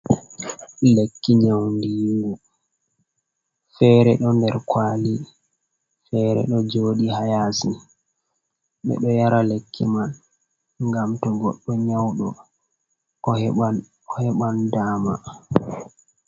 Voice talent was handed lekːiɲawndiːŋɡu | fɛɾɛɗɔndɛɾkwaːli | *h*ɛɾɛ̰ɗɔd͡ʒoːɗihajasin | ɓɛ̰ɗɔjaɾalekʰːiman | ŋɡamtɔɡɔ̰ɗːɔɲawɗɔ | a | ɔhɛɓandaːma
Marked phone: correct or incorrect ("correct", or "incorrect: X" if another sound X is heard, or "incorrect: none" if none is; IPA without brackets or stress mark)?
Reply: incorrect: f